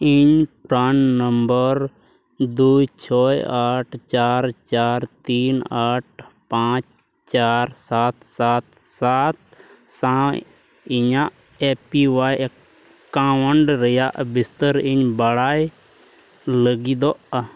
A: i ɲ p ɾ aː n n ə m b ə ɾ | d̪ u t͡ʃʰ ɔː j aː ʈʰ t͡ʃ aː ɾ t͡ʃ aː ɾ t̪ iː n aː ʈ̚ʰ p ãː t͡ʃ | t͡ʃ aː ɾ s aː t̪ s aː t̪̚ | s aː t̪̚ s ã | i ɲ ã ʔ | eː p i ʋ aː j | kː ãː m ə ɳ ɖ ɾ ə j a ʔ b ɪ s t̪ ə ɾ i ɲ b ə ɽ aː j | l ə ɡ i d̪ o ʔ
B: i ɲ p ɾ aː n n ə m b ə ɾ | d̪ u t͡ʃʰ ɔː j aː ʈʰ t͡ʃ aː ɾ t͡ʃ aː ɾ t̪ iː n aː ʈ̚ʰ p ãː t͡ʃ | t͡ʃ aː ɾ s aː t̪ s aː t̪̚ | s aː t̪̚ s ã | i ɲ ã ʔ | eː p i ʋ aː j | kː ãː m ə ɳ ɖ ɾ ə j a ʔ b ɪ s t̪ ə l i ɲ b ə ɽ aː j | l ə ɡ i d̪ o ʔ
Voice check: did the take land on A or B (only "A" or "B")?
A